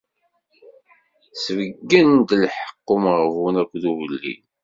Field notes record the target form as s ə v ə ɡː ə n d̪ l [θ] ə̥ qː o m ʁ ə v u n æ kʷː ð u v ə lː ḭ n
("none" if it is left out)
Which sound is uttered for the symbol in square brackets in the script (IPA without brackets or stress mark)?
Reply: ħ